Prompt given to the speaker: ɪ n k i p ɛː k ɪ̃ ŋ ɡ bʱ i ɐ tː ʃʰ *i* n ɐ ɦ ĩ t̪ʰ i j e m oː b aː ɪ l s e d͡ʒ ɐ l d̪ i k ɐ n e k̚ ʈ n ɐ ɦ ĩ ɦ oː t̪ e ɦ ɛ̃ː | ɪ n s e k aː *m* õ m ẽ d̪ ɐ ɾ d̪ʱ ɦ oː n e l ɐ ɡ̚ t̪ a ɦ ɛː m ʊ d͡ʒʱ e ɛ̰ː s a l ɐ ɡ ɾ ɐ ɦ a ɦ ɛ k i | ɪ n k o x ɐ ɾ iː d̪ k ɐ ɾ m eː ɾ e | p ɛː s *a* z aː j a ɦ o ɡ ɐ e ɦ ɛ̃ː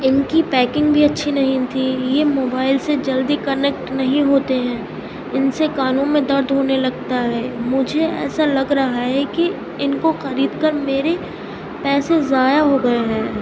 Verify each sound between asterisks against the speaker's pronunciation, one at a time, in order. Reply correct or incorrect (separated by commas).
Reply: correct, incorrect, incorrect